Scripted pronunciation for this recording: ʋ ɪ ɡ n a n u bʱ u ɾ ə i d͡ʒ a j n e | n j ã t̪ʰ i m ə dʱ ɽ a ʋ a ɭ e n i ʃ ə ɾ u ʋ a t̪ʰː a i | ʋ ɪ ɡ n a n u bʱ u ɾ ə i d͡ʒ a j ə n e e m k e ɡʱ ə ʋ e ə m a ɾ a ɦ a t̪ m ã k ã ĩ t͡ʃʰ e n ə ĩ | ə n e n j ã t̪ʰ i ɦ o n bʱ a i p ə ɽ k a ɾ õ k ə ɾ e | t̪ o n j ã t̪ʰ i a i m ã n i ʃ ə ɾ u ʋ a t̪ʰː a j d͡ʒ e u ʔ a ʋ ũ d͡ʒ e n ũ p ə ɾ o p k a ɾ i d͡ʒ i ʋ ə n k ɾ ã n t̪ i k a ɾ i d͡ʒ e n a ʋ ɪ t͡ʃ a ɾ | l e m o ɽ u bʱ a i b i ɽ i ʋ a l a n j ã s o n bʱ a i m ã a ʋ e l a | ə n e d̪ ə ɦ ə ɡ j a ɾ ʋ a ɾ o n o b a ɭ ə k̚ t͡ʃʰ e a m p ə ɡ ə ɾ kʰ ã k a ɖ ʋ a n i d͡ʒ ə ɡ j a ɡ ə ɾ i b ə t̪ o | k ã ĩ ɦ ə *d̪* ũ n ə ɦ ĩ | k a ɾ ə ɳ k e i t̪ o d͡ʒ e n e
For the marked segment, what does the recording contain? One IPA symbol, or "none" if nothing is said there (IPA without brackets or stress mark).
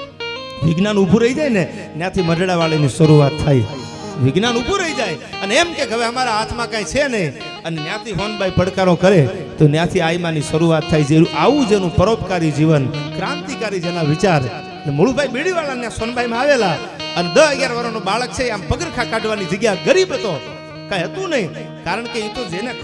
t̪